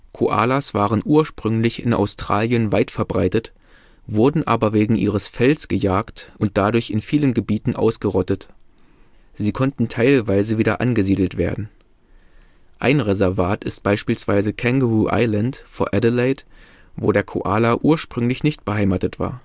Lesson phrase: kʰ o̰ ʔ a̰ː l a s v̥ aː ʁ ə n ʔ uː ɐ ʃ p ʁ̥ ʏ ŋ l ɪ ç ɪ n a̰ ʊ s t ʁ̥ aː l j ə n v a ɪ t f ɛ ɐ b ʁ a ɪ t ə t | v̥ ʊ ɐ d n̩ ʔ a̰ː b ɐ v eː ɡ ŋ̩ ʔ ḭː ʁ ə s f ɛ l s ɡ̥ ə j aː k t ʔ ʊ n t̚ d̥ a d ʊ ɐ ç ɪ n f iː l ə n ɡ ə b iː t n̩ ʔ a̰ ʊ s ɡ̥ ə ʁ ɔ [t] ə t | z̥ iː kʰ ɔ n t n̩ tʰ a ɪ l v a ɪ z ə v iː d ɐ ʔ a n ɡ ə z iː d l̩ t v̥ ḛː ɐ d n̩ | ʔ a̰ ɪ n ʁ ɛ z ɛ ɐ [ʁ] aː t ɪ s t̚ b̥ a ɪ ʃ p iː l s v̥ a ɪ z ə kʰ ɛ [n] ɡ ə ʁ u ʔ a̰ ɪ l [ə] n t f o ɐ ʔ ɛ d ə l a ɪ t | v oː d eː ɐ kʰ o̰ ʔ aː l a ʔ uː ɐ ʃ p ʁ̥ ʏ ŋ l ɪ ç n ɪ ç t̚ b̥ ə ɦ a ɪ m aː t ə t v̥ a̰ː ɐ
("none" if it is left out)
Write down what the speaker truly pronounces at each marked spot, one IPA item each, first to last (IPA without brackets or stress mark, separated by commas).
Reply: t, v, ŋ, a